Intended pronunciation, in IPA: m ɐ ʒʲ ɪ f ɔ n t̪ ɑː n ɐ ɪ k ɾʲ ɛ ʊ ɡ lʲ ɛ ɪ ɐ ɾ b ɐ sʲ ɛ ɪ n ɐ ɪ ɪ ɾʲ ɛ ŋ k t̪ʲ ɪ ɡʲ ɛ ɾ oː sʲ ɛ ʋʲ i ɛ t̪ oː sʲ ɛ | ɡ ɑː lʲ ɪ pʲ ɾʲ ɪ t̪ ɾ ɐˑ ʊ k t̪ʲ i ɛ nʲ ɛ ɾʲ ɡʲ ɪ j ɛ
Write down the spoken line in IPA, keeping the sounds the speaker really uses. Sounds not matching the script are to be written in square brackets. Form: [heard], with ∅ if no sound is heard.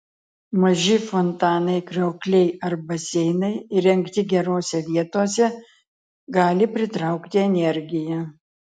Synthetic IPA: m ɐ ʒʲ ɪ f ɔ n t̪ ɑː n ɐ ɪ k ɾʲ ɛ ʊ [k] lʲ ɛ ɪ ɐ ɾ b ɐ sʲ ɛ ɪ n ɐ ɪ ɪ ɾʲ ɛ ŋ k t̪ʲ ɪ ɡʲ ɛ ɾ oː sʲ ɛ ʋʲ i ɛ t̪ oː sʲ ɛ | ɡ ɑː lʲ ɪ pʲ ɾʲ ɪ t̪ ɾ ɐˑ ʊ k t̪ʲ [ɪ] ɛ nʲ ɛ ɾʲ ɡʲ ɪ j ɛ